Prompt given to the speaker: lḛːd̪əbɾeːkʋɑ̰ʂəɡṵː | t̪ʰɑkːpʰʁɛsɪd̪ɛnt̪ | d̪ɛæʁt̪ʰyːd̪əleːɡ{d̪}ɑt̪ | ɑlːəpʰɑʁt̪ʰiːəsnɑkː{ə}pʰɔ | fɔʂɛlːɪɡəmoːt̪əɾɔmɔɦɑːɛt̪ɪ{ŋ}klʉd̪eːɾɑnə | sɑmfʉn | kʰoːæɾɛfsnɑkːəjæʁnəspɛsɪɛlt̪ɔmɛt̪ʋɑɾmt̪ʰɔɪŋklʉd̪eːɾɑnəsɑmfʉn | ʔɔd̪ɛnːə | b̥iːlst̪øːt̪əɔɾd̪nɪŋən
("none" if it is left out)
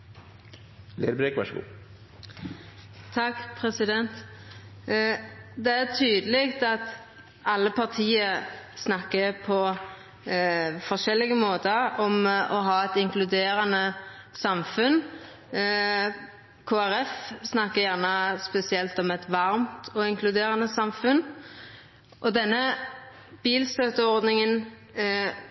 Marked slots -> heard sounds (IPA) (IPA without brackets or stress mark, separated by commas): t̪, ə, ŋ